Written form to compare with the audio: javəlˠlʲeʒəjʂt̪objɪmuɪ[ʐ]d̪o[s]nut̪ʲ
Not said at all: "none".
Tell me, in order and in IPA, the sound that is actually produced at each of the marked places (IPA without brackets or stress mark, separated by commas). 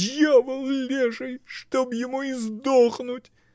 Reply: z, χ